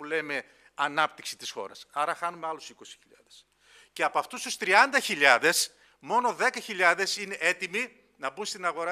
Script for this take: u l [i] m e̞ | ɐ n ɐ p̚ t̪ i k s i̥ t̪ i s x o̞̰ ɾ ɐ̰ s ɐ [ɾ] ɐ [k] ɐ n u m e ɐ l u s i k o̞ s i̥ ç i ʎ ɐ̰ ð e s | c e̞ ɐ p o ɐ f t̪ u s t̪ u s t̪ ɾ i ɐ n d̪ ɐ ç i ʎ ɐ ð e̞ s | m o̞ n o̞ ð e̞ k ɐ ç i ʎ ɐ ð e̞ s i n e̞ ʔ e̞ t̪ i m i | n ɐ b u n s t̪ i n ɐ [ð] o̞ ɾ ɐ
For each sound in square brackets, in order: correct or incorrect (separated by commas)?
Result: incorrect, correct, incorrect, incorrect